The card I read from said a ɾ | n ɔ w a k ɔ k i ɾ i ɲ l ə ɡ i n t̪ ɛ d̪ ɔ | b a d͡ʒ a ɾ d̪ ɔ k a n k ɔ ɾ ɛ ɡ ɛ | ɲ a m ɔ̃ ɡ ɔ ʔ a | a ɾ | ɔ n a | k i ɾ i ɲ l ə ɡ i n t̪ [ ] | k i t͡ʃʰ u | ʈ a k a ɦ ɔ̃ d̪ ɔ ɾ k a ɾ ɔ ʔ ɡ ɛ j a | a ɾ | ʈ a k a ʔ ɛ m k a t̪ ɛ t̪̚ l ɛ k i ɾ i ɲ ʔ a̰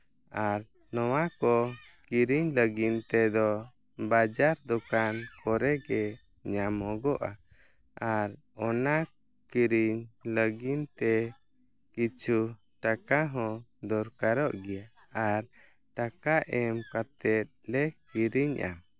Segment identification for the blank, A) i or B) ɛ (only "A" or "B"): B